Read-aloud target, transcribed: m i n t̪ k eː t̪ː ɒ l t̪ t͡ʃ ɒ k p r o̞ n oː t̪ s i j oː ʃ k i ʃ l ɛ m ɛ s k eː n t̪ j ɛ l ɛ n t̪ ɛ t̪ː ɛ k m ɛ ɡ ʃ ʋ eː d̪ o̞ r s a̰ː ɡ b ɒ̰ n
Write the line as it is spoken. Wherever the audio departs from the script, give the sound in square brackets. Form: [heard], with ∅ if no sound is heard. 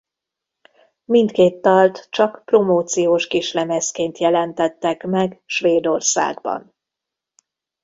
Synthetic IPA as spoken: m i n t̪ k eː t̪ː ɒ l t̪ t͡ʃ ɒ k p r o̞ [m] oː t̪ s i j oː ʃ k i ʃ l ɛ m ɛ s k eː n t̪ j ɛ l ɛ n t̪ ɛ t̪ː ɛ k m ɛ ɡ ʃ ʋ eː d̪ o̞ r s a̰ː ɡ b ɒ̰ n

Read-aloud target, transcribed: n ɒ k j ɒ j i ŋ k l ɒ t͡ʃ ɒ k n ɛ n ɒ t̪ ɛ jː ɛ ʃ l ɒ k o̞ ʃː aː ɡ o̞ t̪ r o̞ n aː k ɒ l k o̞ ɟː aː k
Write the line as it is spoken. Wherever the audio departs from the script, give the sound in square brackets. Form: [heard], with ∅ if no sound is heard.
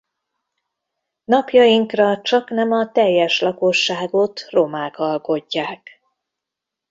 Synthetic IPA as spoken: n ɒ [p] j ɒ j i ŋ k [r] ɒ t͡ʃ ɒ k n ɛ [m] ɒ t̪ ɛ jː ɛ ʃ l ɒ k o̞ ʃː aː ɡ o̞ t̪ r o̞ [m] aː k ɒ l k o̞ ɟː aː k

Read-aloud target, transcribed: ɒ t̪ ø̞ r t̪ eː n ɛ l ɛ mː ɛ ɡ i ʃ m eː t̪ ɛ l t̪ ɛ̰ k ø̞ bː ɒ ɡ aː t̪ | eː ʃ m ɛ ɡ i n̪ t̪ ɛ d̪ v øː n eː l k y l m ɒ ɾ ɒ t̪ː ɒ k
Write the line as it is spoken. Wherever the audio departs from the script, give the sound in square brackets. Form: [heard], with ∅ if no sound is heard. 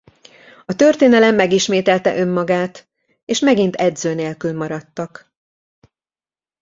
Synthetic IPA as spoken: ɒ t̪ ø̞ r t̪ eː n ɛ l ɛ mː ɛ ɡ i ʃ m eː t̪ ɛ l t̪ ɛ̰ [ʔ] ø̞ [mː] ɒ ɡ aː t̪ | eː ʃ m ɛ ɡ i n̪ t̪ ɛ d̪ [z] øː n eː l k y l m ɒ ɾ ɒ t̪ː ɒ k

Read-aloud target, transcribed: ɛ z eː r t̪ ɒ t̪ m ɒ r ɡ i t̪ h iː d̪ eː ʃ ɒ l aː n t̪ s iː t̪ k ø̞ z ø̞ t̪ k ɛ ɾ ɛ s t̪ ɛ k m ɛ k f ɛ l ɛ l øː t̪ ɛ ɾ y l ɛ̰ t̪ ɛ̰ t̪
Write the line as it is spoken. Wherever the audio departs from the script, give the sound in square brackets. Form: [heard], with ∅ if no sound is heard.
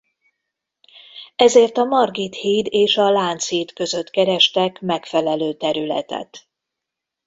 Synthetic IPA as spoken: ɛ z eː r t̪ ɒ [∅] m ɒ r ɡ i t̪ h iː d̪ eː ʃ ɒ l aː n t̪ s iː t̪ k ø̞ z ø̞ t̪ k ɛ ɾ ɛ [ʃ] t̪ ɛ k m ɛ k f ɛ l ɛ l øː t̪ ɛ ɾ y l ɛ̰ t̪ ɛ̰ t̪

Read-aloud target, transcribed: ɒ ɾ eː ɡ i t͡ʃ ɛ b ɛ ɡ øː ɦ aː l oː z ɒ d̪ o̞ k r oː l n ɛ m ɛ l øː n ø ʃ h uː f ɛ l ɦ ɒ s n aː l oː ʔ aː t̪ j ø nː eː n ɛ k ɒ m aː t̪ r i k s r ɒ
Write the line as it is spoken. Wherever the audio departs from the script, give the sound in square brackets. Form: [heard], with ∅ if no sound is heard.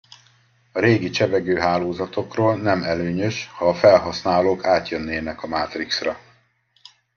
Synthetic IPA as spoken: ɒ ɾ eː ɡ i t͡ʃ ɛ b ɛ ɡ øː ɦ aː l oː z ɒ [t̪] o̞ k r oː l n ɛ m ɛ l øː [ɲ] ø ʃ h [ɒː] f ɛ l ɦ ɒ s n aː l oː [k] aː t̪ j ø nː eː n ɛ k ɒ m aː t̪ r i k s r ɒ

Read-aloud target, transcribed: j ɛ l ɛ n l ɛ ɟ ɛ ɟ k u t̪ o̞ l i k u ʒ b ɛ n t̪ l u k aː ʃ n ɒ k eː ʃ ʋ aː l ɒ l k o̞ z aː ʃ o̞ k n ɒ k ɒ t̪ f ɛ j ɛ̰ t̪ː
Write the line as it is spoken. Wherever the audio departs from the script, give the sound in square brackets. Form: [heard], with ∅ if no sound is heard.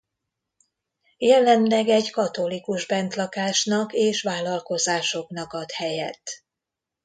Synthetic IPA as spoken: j ɛ l ɛ n l ɛ [ɡ] ɛ ɟ k [ɒ] t̪ o̞ l i k u ʒ b ɛ n t̪ l [ɒ] k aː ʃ n ɒ k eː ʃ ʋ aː l ɒ l k o̞ z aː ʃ o̞ k n ɒ k ɒ t̪ [h] ɛ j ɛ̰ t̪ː

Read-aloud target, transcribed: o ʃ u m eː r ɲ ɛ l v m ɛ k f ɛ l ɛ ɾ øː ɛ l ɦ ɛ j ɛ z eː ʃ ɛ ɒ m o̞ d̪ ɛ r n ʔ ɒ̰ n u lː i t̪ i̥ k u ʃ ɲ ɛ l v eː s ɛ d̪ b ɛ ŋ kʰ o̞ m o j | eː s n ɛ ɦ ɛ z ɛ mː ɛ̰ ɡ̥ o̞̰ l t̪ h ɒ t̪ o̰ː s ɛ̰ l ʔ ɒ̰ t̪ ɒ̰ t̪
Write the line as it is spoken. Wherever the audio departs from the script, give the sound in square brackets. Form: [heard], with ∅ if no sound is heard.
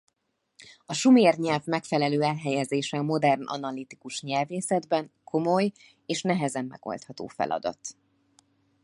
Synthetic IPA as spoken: [ɒ] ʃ u m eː r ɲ ɛ l v m ɛ k f ɛ l ɛ [l] øː ɛ l ɦ ɛ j ɛ z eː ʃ ɛ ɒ m o̞ d̪ ɛ r n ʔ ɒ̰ n [ɒ] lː i t̪ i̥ k u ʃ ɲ ɛ l v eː s ɛ d̪ b ɛ ŋ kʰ o̞ m o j | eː [ʃ] n ɛ ɦ ɛ z ɛ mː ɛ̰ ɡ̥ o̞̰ l t̪ h ɒ t̪ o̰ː [f] ɛ̰ l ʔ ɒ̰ [d̪] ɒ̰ t̪

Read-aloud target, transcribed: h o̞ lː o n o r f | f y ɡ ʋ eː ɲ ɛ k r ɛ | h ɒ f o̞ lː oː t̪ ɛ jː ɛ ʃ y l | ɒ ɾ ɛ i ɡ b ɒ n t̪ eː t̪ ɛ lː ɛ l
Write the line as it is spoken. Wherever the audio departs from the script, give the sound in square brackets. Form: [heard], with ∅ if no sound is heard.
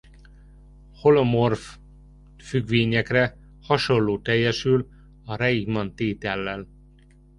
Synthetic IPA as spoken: h o̞ [l] o [m] o r f | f y ɡ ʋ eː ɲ ɛ k r ɛ | h ɒ [ʃ] o̞ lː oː t̪ ɛ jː ɛ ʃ y l | ɒ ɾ ɛ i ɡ [m] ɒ n t̪ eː t̪ ɛ lː ɛ l

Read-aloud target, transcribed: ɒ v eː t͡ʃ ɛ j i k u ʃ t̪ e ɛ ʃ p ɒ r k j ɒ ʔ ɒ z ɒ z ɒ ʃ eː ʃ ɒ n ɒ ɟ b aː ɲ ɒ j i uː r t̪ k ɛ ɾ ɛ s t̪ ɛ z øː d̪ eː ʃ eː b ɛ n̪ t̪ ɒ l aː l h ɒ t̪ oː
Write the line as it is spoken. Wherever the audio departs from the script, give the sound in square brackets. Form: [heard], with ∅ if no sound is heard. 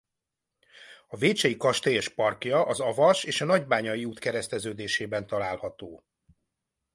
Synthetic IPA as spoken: ɒ v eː t͡ʃ ɛ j i k [ɒ] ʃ t̪ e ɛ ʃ p ɒ r k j ɒ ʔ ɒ z ɒ [v] ɒ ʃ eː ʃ ɒ n ɒ ɟ b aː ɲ ɒ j i uː [∅] t̪ k ɛ ɾ ɛ s t̪ ɛ z øː d̪ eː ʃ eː b ɛ n̪ t̪ ɒ l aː l h ɒ t̪ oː

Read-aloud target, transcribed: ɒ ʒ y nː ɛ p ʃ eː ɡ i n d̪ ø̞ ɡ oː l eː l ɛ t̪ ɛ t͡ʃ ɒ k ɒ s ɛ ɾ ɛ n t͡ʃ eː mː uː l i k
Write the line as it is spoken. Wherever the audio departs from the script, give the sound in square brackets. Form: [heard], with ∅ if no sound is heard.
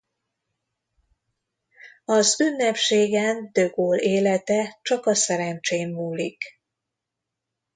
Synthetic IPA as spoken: ɒ [z] y nː ɛ p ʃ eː ɡ [ɛ] n d̪ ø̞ ɡ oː l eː l ɛ t̪ ɛ t͡ʃ ɒ k ɒ s ɛ ɾ ɛ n t͡ʃ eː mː uː l i k

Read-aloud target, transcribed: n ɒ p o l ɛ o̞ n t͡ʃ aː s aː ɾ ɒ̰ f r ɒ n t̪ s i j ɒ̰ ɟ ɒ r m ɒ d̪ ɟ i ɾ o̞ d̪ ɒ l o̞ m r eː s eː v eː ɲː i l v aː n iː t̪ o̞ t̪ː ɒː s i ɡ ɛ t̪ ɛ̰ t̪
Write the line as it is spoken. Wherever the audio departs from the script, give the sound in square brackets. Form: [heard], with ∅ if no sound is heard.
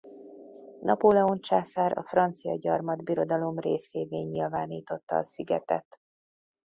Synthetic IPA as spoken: n ɒ p o l ɛ o̞ n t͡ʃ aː s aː ɾ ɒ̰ f r ɒ n t̪ s i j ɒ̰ ɟ ɒ r m ɒ d̪ [b] i ɾ o̞ d̪ ɒ l o̞ m r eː s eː v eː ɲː i l v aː n iː t̪ o̞ t̪ː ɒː s i ɡ ɛ t̪ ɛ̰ t̪

